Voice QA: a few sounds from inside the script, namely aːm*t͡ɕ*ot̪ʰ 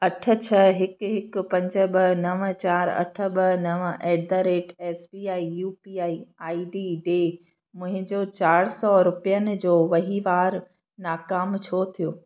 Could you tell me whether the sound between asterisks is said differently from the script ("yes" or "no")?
yes